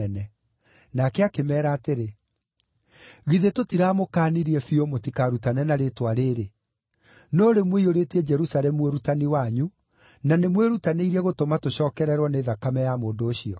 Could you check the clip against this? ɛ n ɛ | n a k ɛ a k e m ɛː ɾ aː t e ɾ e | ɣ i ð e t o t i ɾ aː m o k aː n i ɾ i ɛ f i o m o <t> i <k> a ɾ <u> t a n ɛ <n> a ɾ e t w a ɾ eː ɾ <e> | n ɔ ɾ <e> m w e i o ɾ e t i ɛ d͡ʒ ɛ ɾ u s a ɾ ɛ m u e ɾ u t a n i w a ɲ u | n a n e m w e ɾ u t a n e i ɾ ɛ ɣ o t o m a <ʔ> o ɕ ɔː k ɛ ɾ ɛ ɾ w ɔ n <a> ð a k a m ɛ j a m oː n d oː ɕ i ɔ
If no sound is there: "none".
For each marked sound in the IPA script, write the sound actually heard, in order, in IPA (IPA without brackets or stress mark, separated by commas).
t, k, u, n, e, e, t, e